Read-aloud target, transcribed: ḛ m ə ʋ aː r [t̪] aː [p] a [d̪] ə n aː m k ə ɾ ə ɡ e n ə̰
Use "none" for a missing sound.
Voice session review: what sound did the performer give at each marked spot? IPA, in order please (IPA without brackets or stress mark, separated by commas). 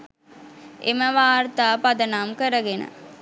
t̪, p, d̪